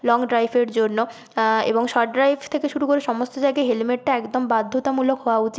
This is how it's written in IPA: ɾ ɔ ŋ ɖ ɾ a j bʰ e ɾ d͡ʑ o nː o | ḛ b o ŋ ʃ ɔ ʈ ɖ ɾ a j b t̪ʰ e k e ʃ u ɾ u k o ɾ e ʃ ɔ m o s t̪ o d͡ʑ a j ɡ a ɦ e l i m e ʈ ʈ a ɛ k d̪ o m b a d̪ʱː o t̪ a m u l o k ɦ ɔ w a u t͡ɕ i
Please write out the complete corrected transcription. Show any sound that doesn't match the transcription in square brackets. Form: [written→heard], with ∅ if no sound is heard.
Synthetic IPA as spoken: [ɾ→l] ɔ ŋ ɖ ɾ a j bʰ e ɾ d͡ʑ o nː o | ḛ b o ŋ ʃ ɔ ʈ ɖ ɾ a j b t̪ʰ e k e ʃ u ɾ u k o ɾ e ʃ ɔ m o s t̪ o d͡ʑ a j ɡ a ɦ e l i m e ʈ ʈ a ɛ k d̪ o m b a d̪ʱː o t̪ a m u l o k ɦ ɔ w a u t͡ɕ i